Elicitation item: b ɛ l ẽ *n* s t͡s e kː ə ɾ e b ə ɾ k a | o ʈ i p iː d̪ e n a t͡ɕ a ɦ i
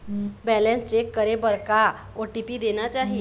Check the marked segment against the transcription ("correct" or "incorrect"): correct